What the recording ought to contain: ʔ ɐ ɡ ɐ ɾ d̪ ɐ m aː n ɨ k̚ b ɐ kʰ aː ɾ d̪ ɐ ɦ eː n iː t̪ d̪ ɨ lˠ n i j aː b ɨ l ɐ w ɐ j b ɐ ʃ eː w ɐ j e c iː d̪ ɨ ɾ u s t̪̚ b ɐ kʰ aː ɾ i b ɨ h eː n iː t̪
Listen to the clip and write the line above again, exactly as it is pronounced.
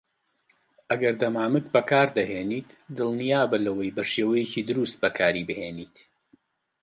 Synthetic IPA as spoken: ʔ ɐ ɡ ɐ ɾ d̪ ɐ m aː m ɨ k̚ b ɐ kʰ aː ɾ d̪ ɐ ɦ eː n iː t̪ d̪ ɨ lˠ n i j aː b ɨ l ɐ w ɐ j b ɐ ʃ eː w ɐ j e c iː d̪ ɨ ɾ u s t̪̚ b ɐ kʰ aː ɾ i b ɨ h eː n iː t̪